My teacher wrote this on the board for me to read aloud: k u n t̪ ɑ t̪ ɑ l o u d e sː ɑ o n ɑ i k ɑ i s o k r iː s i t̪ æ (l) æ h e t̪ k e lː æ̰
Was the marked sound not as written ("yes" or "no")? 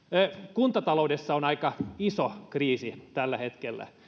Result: yes